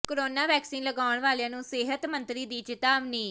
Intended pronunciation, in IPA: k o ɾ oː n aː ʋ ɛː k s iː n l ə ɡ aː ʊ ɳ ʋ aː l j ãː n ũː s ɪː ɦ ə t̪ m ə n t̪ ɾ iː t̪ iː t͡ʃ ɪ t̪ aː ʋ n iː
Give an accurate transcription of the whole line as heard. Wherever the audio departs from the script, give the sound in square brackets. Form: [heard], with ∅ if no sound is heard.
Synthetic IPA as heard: k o ɾ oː n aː ʋ ɛː k s iː n l ə ɡ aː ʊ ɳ ʋ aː l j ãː n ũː s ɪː ɦ ə t̪ m ə n t̪ ɾ iː [d̪] iː t͡ʃ ɪ t̪ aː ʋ n iː